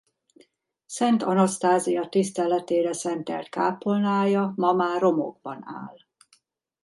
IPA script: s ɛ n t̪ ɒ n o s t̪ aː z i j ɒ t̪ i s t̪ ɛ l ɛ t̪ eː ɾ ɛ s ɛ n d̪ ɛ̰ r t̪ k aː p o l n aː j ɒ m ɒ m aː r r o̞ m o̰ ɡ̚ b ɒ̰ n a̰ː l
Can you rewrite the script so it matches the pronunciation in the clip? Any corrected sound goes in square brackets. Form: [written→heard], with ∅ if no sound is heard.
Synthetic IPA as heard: s ɛ n t̪ ɒ n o s t̪ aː z i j ɒ t̪ i s t̪ ɛ l ɛ t̪ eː ɾ ɛ s ɛ n [d̪→t̪] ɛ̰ [r→l] t̪ k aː p o l n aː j ɒ m ɒ m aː r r o̞ m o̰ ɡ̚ b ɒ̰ n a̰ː l